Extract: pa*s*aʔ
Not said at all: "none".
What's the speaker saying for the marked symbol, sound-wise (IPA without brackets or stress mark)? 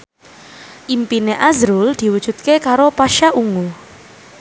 ʃ